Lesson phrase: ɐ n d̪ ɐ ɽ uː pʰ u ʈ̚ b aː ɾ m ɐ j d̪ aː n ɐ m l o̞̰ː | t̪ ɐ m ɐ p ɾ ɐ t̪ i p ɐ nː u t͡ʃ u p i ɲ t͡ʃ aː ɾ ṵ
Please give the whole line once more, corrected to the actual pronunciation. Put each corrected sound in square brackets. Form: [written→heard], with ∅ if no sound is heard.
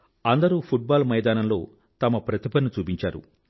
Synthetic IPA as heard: ɐ n d̪ ɐ [ɽ→ɾ] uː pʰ u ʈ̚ b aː [ɾ→l] m ɐ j d̪ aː n ɐ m l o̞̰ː | t̪ ɐ m ɐ p ɾ ɐ t̪ i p ɐ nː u t͡ʃ [u→uː] p i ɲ t͡ʃ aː ɾ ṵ